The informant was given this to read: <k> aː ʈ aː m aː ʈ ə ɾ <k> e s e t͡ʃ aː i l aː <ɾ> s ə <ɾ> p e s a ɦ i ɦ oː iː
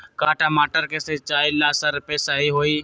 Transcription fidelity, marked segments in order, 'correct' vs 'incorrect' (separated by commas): correct, correct, incorrect, correct